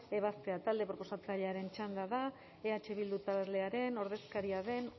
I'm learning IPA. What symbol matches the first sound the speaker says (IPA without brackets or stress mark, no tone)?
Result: e̞